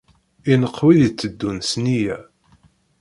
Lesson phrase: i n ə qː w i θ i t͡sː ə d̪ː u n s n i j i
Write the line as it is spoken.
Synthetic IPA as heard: i n ə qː w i ð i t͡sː ə d̪ː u n s n i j æ